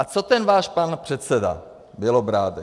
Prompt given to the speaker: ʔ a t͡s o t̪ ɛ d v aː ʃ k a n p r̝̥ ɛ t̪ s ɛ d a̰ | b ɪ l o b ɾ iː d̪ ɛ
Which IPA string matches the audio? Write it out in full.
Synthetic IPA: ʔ a t͡s o t̪ ɛ n v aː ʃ p a n p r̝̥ ɛ t̪ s ɛ d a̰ | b ɪ l o b ɾ aː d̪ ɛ